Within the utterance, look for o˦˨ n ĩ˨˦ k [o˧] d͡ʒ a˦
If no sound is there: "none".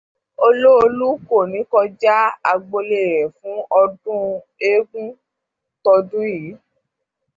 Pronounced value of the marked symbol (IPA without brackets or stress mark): ɔ˧